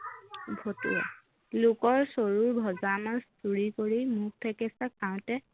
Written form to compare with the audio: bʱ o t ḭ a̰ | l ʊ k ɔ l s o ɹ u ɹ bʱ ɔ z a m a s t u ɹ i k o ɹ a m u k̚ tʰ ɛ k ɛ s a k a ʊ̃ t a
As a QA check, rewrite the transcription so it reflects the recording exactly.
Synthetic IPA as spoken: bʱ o t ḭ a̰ | l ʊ k ɔ ɹ s o ɹ u ɹ bʱ ɔ z a m a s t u ɹ i k o ɹ i m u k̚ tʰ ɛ k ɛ s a k a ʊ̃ t ɛ